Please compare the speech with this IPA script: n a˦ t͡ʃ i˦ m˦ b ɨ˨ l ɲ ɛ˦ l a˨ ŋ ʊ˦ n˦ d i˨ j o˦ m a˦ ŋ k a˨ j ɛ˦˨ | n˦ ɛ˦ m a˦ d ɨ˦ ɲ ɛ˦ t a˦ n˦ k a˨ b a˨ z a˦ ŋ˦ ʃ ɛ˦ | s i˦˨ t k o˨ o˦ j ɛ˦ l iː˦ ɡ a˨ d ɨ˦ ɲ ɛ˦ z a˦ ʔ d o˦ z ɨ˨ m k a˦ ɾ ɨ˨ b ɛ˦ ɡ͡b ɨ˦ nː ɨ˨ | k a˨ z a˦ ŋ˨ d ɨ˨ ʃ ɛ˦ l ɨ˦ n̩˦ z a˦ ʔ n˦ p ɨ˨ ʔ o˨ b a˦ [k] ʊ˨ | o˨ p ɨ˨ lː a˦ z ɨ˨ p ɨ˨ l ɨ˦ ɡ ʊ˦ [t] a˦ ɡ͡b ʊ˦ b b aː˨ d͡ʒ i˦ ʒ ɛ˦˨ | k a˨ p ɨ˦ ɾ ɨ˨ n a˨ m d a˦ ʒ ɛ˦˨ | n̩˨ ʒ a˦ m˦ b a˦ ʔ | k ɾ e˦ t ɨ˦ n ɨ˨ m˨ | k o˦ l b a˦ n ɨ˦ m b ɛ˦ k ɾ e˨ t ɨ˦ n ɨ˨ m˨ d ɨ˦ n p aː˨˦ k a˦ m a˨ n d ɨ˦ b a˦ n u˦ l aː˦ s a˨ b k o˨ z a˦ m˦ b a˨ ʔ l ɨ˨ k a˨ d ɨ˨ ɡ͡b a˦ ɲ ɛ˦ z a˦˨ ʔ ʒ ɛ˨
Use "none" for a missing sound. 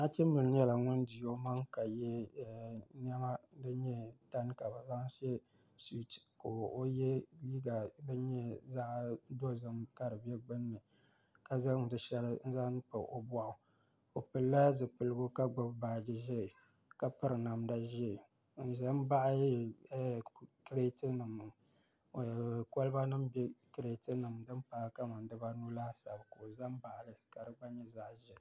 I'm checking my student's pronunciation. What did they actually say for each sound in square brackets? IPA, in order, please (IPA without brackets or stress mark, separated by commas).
ʔ, k